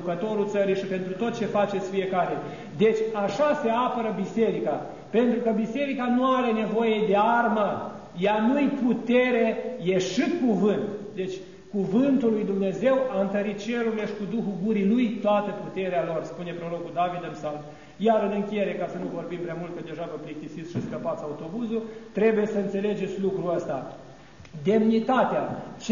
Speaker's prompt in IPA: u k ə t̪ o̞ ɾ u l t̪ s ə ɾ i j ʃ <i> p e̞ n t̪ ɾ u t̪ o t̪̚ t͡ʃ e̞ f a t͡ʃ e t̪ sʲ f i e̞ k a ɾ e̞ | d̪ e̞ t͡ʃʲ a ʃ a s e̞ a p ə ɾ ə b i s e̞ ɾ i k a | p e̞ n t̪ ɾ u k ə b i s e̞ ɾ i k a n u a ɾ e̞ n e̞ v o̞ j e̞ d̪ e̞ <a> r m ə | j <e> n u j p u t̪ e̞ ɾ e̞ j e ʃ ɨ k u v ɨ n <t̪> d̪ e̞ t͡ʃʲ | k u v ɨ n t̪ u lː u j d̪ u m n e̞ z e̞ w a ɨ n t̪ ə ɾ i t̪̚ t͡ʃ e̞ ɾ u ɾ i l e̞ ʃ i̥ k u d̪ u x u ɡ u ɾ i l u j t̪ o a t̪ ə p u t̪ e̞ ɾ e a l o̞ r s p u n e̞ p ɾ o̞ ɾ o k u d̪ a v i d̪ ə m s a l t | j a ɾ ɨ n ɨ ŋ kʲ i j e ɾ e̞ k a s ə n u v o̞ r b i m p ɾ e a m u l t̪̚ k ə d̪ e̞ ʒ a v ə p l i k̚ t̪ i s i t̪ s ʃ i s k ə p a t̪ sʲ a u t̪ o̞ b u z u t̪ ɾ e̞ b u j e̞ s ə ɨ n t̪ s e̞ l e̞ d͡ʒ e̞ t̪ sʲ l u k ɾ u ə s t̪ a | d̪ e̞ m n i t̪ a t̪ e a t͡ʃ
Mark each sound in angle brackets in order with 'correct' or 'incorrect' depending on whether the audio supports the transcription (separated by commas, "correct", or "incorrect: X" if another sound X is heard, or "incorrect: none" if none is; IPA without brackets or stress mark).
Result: correct, correct, incorrect: a, correct